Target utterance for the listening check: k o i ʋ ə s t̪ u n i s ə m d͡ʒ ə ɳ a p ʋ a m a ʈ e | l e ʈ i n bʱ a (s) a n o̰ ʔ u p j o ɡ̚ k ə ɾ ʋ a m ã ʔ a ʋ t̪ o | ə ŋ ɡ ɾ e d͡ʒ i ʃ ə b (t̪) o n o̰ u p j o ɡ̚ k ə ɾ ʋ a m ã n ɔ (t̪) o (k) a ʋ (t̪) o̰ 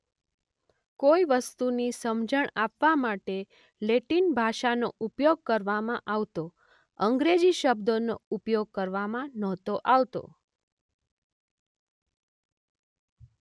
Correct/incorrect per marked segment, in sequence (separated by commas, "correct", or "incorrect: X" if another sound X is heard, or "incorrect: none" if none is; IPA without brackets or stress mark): incorrect: ʃ, incorrect: d̪, correct, incorrect: ʔ, correct